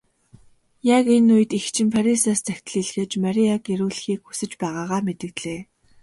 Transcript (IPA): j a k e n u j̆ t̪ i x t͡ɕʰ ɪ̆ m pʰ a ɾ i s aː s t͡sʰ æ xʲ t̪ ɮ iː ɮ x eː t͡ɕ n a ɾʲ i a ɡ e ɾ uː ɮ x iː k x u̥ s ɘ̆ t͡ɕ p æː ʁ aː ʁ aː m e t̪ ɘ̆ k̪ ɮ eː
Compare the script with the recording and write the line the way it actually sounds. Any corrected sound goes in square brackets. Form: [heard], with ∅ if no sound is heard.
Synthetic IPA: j a k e n u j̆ t̪ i x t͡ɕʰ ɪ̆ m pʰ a ɾ i s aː s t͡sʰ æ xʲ t̪ ɮ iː ɮ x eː t͡ɕ [m] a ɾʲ i a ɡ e ɾ uː ɮ x iː k x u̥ s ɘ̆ t͡ɕ p æː ʁ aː ʁ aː m e t̪ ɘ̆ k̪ ɮ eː